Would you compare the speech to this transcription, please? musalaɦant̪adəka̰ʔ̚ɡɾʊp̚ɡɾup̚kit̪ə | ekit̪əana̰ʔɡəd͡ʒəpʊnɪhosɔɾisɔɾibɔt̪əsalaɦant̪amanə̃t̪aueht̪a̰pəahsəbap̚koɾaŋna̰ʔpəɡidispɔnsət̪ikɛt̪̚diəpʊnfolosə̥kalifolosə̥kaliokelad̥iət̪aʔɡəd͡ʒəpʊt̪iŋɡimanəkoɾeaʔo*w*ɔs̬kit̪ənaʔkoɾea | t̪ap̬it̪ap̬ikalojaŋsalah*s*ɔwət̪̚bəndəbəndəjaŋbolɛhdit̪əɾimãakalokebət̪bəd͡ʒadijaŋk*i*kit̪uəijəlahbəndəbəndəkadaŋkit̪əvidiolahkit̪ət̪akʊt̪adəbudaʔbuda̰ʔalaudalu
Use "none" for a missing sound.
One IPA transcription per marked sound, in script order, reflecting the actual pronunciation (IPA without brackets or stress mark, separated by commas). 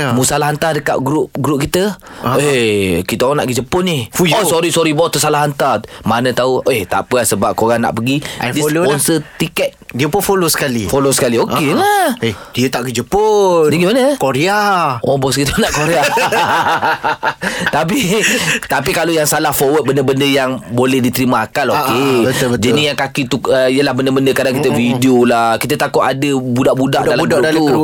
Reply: b, f, a